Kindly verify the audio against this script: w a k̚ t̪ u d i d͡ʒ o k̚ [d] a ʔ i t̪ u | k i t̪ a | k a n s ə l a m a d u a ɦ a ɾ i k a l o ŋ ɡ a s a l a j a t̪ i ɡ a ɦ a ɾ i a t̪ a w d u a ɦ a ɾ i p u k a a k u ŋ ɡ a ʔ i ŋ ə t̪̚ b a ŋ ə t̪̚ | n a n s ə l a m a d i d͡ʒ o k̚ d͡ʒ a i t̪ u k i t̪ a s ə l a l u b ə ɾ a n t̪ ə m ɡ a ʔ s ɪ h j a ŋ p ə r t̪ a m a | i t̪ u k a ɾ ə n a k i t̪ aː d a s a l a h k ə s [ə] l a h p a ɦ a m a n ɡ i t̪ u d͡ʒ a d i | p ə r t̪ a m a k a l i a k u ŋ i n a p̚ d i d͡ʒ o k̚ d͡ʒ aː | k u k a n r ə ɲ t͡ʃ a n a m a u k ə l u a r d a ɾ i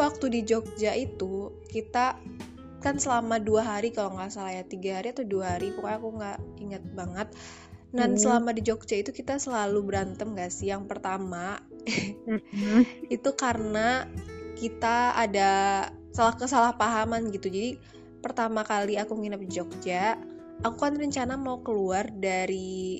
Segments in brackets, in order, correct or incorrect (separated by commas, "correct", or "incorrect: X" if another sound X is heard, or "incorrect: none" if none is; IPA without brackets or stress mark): incorrect: d͡ʒ, incorrect: a